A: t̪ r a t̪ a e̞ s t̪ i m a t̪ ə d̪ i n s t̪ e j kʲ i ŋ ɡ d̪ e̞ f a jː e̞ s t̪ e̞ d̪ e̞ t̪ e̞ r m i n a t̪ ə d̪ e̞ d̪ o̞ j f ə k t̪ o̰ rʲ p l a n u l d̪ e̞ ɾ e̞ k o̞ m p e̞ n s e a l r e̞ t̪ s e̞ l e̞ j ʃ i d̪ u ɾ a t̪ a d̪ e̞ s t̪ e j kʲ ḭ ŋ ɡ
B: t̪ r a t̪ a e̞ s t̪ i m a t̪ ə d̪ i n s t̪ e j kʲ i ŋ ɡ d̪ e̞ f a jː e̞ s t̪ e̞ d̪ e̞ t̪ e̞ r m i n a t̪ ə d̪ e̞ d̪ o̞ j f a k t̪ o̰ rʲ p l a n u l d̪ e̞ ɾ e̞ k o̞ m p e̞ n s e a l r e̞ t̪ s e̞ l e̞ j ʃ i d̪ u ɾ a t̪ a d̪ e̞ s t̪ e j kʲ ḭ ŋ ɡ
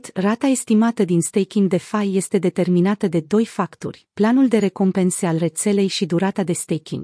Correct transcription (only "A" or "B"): B